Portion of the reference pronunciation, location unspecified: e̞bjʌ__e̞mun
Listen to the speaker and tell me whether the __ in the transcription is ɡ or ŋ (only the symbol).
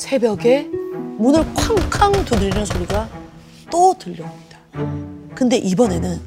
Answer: ɡ